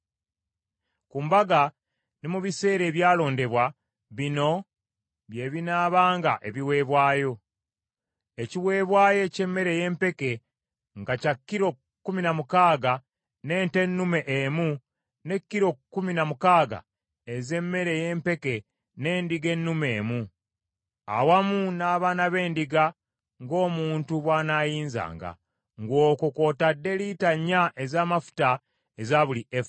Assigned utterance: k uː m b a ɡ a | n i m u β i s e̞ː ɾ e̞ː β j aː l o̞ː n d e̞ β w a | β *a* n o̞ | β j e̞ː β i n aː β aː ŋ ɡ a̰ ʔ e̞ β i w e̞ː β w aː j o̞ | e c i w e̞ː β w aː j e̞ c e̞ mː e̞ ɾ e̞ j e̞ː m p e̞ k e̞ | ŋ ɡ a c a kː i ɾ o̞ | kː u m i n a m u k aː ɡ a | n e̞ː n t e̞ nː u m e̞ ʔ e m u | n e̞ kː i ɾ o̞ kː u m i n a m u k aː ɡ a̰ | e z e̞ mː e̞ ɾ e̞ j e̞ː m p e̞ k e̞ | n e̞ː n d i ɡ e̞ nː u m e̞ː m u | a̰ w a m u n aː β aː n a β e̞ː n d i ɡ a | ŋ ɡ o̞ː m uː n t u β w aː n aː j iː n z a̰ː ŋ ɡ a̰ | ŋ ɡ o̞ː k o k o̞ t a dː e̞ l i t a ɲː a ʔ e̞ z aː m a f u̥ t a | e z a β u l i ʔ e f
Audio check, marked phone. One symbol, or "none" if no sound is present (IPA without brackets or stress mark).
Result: i